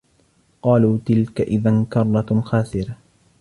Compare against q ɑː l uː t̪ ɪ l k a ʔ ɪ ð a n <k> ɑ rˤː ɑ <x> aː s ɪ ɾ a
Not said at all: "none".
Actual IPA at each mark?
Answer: k, x

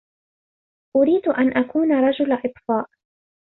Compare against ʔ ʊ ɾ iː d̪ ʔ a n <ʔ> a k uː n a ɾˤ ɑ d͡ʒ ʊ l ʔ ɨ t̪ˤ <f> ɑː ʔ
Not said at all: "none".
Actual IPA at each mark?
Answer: ʔ, f

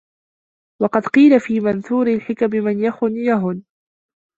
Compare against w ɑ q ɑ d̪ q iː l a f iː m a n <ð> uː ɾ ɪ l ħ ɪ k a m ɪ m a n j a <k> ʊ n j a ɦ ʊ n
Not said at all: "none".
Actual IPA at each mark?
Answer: θ, x

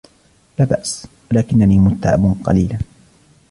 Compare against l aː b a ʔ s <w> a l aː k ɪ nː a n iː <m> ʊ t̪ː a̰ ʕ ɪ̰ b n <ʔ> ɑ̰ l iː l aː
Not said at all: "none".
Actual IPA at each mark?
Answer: w, m, q

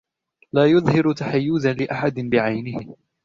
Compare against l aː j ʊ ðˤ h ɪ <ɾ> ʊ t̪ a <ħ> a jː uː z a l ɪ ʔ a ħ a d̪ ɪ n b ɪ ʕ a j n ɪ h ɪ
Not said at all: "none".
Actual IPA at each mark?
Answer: ɾ, ħ

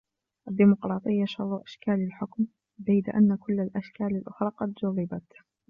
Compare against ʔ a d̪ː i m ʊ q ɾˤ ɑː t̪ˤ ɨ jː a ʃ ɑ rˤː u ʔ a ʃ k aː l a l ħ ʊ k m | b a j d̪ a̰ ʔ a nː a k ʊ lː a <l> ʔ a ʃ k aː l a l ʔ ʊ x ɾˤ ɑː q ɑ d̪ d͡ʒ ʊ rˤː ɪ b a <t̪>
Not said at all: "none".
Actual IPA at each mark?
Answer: l, t̪

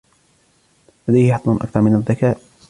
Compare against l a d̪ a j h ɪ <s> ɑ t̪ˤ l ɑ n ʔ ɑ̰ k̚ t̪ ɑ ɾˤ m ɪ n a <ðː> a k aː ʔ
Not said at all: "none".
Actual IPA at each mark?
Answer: ħ, ðː

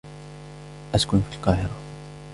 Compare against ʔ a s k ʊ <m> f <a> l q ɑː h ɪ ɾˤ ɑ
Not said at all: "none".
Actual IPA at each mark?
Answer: n, i

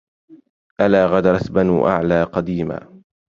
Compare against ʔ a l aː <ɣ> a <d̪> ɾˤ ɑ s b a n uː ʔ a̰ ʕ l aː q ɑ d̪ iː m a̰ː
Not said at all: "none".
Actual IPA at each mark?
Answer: ɣ, d̪

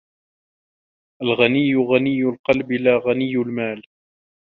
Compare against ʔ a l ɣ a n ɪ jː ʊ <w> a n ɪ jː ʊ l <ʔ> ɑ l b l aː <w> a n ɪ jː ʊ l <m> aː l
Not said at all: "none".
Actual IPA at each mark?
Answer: ɣ, q, ɣ, m

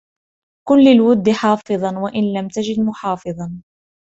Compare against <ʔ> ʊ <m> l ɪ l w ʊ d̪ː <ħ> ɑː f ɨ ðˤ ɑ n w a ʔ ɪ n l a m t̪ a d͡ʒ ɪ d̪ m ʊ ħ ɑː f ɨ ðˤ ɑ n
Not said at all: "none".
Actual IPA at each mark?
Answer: k, n, ħ

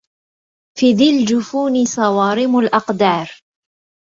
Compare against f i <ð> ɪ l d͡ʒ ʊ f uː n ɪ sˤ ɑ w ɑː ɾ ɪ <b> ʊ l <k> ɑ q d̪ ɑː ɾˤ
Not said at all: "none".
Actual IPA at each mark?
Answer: ð, m, ʔ

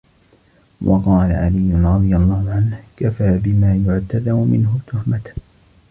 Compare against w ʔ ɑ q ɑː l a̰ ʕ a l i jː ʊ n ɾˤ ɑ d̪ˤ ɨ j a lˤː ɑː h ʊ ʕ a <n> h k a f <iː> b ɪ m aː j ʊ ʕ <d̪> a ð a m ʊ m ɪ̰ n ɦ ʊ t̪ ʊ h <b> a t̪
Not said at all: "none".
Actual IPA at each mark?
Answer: n, aː, t̪, m

